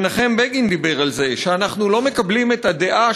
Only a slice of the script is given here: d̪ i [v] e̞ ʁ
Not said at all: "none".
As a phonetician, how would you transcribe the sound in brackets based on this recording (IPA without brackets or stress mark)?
b